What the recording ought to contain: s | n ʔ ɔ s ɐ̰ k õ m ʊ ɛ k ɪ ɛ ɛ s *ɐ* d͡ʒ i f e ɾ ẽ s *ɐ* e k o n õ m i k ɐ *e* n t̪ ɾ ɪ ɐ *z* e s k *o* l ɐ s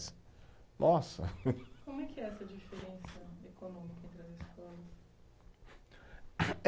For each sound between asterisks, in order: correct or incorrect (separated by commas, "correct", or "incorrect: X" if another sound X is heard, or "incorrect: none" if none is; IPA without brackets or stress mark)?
correct, correct, incorrect: ẽ, correct, incorrect: ɔ